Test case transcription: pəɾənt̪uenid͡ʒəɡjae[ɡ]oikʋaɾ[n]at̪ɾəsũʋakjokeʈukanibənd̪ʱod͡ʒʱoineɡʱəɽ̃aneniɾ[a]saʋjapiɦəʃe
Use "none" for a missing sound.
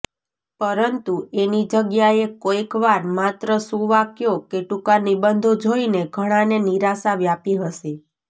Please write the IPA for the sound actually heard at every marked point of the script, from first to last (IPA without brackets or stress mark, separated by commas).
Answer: k, m, a